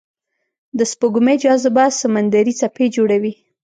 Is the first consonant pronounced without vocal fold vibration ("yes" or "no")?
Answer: no